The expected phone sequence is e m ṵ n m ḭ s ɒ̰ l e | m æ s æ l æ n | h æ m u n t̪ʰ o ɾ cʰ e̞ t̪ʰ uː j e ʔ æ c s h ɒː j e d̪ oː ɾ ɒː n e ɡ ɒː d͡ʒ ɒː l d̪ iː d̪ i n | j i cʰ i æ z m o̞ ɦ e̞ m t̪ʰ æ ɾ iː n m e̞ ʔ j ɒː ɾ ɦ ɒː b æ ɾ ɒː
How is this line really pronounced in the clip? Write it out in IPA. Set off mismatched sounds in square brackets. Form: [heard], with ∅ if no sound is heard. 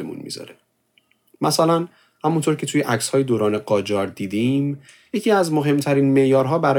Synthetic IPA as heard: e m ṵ n m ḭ [z] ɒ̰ [ɾ] e | m æ s æ l æ n | h æ m u n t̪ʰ o ɾ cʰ e̞ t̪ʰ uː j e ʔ æ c s h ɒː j e d̪ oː ɾ ɒː n e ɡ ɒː d͡ʒ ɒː [ɾ] d̪ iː d̪ i [m] | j [e] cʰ i æ z m o̞ ɦ e̞ m t̪ʰ æ ɾ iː n m e̞ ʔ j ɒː ɾ ɦ ɒː b æ ɾ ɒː